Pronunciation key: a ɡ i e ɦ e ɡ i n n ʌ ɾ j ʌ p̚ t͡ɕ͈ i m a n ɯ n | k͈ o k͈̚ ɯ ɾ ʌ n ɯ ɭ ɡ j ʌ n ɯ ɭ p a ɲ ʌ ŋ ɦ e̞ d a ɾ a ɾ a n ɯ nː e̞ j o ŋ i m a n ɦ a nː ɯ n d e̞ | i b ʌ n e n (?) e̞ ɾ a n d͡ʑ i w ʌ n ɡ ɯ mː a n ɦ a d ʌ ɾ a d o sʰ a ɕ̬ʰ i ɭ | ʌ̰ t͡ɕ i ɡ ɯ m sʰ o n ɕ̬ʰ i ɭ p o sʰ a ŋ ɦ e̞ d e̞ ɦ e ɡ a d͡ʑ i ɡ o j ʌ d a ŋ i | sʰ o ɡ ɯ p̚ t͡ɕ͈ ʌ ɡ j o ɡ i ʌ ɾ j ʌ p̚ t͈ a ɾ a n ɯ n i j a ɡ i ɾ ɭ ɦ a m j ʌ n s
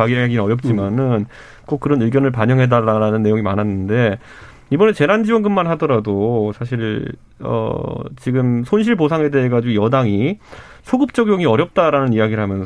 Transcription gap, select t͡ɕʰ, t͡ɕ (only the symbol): t͡ɕ